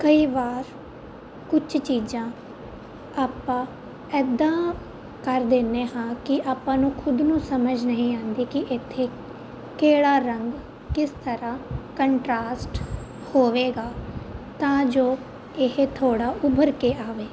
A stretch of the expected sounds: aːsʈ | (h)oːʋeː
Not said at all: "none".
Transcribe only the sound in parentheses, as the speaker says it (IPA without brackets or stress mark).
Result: h